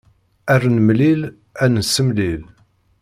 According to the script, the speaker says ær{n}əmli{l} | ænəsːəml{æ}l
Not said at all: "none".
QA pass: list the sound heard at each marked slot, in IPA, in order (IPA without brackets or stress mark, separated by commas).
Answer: n, l, i